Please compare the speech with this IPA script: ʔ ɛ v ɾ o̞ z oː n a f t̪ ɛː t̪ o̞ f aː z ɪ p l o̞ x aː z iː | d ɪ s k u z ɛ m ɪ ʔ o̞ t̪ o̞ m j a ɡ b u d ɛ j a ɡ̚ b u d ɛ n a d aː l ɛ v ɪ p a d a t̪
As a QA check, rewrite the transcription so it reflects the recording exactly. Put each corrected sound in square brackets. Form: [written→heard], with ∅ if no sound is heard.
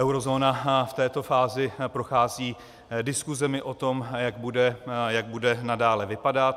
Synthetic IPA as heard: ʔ ɛ [v→w] ɾ o̞ z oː n a f t̪ ɛː t̪ o̞ f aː z ɪ p [l→ɾ] o̞ x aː z iː | d ɪ s k u z ɛ m ɪ ʔ o̞ t̪ o̞ m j a ɡ b u d ɛ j a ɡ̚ b u d ɛ n a d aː l ɛ v ɪ p a d a t̪